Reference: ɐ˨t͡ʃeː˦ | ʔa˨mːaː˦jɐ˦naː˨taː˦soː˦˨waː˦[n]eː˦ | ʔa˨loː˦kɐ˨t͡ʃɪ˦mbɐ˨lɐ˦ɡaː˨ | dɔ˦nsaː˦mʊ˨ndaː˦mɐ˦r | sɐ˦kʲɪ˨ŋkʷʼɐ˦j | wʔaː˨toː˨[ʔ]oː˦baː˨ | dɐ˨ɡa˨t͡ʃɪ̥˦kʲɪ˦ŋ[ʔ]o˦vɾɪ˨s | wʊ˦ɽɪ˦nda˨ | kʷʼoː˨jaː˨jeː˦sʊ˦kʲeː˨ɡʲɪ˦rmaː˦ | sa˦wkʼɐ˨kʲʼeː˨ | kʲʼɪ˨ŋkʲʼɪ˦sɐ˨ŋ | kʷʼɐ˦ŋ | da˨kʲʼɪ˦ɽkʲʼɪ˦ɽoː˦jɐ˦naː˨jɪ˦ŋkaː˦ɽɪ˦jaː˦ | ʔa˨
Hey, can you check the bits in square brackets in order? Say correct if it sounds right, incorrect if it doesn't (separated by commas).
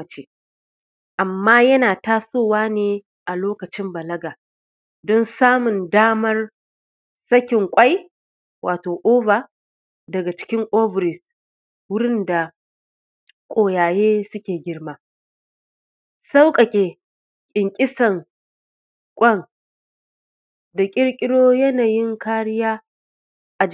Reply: correct, correct, correct